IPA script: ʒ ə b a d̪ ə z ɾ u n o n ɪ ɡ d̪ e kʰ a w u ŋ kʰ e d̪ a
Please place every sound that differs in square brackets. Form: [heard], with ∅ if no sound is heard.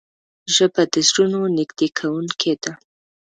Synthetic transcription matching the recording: ʒ ə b a d̪ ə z ɾ u n o n ɪ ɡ d̪ e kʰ a w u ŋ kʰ e d̪ a